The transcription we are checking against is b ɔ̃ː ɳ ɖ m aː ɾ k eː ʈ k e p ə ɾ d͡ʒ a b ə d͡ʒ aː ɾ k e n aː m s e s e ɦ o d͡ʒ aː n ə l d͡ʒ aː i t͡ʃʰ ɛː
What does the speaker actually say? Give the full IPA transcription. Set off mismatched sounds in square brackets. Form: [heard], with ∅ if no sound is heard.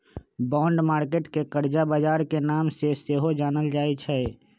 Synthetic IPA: b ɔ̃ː ɳ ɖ m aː ɾ k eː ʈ k e [k] ə ɾ d͡ʒ a b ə d͡ʒ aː ɾ k e n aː m s e s e ɦ o d͡ʒ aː n ə l d͡ʒ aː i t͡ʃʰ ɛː